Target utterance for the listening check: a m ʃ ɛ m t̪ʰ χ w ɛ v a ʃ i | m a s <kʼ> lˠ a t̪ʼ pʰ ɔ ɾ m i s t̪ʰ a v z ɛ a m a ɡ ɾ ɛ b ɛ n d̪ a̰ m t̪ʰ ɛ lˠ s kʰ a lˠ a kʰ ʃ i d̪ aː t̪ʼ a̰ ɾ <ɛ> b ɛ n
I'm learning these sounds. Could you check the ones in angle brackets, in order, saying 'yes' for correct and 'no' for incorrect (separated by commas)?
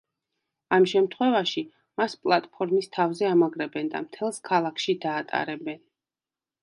no, yes